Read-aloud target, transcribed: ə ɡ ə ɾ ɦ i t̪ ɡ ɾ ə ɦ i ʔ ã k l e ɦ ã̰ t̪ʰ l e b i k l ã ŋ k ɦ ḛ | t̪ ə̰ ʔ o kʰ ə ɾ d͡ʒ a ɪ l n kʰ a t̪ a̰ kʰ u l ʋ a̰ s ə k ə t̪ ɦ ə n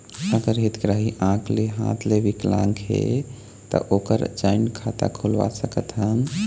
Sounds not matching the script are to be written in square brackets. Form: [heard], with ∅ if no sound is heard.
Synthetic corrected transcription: ə ɡ ə ɾ ɦ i t̪ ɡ ɾ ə ɦ i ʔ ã k l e ɦ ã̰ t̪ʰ l e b i k l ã ŋ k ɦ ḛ | t̪ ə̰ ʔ o [k] ə ɾ d͡ʒ a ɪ [∅] n kʰ a t̪ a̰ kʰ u l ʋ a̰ s ə k ə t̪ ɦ ə n